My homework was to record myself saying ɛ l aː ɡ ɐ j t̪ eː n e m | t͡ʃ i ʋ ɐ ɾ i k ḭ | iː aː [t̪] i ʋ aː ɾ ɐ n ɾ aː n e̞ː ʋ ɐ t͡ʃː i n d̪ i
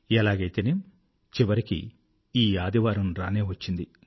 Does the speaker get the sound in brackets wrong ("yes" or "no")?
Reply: yes